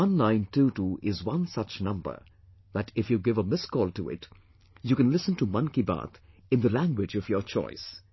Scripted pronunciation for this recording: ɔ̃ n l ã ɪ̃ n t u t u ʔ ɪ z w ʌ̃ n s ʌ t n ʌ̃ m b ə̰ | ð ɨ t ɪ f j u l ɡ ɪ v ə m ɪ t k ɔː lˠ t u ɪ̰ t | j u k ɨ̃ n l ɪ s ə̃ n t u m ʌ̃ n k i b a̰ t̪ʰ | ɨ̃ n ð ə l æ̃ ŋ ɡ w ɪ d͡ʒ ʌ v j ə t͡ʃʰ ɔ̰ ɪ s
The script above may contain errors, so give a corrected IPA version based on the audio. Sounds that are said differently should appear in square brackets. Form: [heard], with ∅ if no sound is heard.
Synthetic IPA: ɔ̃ n l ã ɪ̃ n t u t u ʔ ɪ z w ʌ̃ n s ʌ [t͡ʃ] n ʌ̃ m b ə̰ | ð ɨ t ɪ f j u [∅] ɡ ɪ v ə m ɪ [s] k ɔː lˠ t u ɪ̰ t | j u k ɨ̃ n l ɪ s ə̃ n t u m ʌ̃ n k i b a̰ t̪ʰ | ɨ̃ n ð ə l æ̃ ŋ ɡ w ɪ d͡ʒ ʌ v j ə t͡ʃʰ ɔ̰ ɪ s